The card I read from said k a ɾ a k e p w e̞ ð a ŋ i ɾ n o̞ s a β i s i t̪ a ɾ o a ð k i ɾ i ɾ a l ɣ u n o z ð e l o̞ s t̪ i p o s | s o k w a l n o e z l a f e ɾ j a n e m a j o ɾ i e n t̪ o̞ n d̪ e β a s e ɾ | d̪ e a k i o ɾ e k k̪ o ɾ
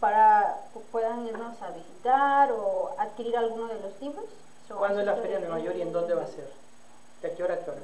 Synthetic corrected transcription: p a ɾ a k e p w e̞ ð a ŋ i ɾ n o̞ s a β i s i t̪ a ɾ o a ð k i ɾ i ɾ a l ɣ u n o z ð e l o̞ s t̪ i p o s | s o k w a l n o e z l a f e ɾ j a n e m a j o ɾ i e n d̪ o̞ n d̪ e β a s e ɾ | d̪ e a k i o ɾ a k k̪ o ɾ